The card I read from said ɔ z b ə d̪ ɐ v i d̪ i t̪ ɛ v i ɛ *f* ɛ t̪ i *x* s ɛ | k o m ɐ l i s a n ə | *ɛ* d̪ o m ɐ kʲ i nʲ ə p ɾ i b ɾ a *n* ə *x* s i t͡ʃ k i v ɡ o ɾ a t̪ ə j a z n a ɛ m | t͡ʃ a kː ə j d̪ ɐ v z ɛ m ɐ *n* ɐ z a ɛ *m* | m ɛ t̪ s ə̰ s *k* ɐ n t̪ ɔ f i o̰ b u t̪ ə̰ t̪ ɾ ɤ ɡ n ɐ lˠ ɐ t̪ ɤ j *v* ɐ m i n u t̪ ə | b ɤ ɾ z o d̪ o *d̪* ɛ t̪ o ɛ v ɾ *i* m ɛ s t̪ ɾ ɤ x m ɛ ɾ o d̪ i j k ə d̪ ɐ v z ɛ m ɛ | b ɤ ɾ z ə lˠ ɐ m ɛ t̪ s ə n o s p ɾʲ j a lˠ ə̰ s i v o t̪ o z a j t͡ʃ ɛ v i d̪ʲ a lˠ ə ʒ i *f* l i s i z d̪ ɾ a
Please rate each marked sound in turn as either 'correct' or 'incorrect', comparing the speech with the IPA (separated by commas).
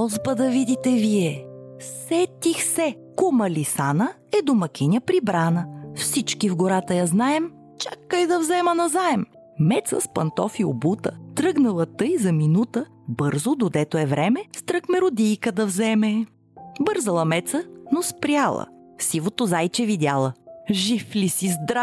incorrect, correct, correct, correct, incorrect, correct, correct, incorrect, incorrect, correct, incorrect, correct